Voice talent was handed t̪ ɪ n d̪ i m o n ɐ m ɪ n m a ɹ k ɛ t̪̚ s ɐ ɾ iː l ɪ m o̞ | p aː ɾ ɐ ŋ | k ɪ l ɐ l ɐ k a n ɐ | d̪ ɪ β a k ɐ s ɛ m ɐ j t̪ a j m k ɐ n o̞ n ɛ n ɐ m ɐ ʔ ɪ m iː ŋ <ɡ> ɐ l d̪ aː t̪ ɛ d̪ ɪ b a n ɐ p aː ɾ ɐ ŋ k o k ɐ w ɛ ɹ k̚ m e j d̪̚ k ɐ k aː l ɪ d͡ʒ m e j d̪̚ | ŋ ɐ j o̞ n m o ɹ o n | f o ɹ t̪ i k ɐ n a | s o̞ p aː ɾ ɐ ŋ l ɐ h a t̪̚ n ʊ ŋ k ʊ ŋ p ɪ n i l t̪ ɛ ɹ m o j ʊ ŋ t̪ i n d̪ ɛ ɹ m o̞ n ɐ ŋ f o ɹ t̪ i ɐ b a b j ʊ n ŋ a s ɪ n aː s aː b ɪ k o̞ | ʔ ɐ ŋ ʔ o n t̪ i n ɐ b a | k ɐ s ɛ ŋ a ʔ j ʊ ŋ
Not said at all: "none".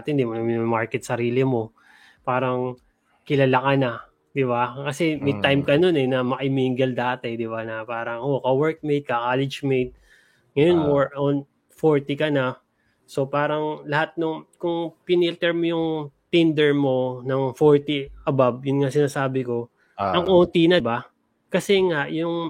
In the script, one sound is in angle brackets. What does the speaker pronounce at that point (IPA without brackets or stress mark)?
ɡ